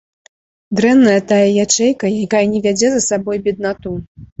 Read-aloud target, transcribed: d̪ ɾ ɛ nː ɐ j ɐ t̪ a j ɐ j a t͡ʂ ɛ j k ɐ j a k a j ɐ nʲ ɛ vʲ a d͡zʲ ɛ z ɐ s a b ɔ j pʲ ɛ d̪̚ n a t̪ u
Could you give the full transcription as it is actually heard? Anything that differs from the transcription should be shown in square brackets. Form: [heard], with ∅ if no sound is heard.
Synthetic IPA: d̪ ɾ ɛ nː ɐ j ɐ t̪ a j ɐ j a t͡ʂ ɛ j k ɐ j a k a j ɐ nʲ ɛ vʲ a d͡zʲ ɛ z ɐ s a b ɔ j [bʲ] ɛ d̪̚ n a t̪ u